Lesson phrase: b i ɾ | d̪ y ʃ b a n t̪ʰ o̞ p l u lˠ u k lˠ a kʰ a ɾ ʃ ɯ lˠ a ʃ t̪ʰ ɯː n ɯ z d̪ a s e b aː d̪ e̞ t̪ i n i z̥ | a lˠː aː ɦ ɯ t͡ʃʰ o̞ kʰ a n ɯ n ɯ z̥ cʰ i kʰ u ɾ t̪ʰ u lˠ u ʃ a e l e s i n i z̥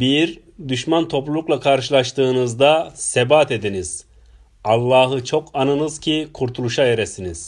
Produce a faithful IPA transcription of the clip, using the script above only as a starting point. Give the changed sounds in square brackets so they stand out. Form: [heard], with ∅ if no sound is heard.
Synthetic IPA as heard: b i ɾ | d̪ y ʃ [m] a n t̪ʰ o̞ p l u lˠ u k lˠ a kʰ a ɾ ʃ ɯ lˠ a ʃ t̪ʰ ɯː n ɯ z d̪ a s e b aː [t̪] e̞ [d̪] i n i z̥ | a lˠː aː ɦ ɯ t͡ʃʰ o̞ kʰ a n ɯ n ɯ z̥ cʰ i kʰ u ɾ t̪ʰ u lˠ u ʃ a e [ɾ] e s i n i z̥